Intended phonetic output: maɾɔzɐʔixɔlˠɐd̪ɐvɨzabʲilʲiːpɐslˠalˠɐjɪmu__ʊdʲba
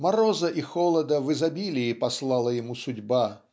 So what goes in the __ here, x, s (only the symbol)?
s